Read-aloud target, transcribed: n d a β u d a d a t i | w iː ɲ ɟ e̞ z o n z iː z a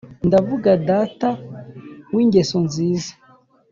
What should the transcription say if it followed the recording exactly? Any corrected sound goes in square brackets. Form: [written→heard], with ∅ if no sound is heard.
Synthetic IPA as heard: n d a [β→v] u [d→ɡ] a d a t [i→a] | w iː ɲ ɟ e̞ [z→s] o n z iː z a